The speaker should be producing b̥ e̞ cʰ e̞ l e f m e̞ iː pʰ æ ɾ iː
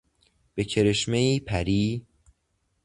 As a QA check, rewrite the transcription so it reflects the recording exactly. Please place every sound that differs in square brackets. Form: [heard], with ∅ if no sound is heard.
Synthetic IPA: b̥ e̞ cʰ e̞ [ɾ] e [ʃ] m e̞ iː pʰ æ ɾ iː